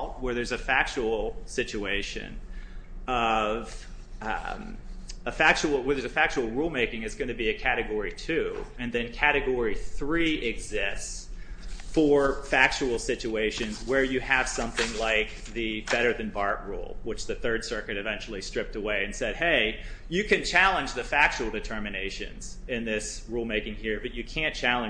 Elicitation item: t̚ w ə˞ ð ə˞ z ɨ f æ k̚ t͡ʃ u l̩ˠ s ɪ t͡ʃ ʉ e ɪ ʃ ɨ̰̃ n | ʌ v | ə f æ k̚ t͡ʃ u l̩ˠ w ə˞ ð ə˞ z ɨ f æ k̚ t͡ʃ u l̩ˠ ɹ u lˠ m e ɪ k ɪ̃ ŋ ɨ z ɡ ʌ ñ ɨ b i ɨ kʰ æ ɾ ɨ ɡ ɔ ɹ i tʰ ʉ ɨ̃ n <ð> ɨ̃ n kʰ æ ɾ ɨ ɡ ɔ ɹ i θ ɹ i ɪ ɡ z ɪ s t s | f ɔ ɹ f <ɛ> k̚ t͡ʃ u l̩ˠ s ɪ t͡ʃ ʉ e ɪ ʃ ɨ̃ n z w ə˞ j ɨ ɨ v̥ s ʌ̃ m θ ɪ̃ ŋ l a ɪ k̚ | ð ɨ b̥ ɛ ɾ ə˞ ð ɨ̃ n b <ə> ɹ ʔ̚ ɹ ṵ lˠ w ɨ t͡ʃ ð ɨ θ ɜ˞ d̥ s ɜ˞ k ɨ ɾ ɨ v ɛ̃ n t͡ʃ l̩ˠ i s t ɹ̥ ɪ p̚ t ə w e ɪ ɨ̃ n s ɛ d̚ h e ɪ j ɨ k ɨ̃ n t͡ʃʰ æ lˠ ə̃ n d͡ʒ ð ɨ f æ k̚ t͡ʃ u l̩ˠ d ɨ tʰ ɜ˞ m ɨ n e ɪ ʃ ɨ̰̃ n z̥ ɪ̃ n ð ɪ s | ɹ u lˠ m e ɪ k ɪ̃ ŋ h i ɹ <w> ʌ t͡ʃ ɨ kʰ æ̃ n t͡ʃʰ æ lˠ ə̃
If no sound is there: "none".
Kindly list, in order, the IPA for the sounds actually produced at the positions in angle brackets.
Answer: ð, æ, ɑ, b

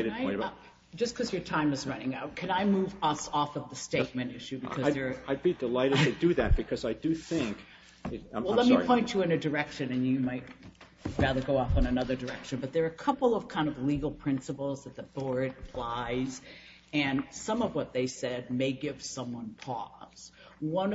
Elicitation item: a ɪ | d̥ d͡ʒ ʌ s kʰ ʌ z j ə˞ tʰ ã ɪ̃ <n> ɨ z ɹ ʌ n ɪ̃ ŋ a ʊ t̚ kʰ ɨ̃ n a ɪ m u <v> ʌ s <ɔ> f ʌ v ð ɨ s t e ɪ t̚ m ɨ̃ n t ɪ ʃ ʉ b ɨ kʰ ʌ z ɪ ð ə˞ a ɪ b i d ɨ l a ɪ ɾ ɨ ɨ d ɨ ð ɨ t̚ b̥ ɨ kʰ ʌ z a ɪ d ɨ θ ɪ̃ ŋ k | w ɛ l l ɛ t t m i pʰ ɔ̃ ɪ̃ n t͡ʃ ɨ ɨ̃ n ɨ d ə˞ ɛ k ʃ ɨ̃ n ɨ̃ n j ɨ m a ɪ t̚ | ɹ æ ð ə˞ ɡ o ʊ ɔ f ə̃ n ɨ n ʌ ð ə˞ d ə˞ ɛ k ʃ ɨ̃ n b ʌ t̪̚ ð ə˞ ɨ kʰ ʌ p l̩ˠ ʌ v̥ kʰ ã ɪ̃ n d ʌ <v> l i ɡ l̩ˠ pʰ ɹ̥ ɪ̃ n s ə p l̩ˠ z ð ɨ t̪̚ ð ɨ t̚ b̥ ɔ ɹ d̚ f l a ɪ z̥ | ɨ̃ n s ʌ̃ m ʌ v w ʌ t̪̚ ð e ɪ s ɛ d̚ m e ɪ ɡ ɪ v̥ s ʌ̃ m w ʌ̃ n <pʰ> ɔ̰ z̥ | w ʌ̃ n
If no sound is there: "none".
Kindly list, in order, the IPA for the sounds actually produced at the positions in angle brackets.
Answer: m, v, ɔ, v, pʰ

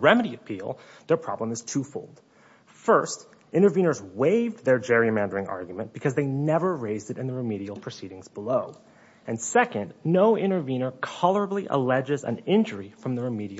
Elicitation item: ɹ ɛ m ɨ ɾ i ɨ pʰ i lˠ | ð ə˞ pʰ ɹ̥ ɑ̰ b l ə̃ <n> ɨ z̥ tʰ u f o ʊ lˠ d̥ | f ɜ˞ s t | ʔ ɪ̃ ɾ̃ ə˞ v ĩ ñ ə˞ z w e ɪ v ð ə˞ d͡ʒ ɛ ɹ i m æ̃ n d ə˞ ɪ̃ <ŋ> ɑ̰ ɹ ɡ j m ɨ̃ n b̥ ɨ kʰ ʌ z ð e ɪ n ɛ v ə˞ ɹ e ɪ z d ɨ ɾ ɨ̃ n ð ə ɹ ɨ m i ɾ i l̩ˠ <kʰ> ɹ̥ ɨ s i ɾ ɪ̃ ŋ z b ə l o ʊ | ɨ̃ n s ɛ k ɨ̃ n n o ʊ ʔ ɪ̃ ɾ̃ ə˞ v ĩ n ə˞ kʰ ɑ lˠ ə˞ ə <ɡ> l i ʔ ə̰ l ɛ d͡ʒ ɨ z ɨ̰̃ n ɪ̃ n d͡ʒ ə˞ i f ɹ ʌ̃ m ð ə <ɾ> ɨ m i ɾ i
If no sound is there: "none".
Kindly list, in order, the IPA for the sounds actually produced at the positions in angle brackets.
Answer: m, ŋ, pʰ, b, ɹ

